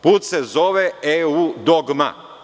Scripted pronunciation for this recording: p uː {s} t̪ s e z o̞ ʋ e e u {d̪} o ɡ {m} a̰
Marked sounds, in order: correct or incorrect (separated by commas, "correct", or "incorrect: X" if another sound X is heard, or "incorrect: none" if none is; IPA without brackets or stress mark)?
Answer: incorrect: none, correct, correct